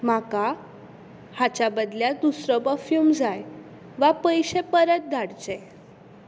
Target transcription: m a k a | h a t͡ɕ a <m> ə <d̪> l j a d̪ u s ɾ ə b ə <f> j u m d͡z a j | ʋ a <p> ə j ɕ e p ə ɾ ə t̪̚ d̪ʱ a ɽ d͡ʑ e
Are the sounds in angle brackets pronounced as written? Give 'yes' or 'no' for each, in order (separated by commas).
no, yes, yes, yes